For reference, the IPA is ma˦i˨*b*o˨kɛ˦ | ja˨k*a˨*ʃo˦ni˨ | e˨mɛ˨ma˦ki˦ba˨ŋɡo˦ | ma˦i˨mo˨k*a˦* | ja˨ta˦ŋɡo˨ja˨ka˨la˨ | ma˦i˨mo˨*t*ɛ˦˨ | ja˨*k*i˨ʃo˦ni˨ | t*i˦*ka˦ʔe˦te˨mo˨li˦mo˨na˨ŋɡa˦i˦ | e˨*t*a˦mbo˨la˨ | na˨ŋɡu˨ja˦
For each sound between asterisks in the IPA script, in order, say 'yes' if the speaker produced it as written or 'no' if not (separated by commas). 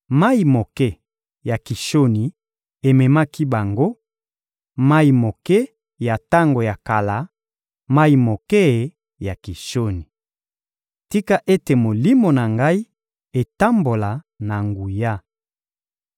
no, no, no, no, yes, yes, yes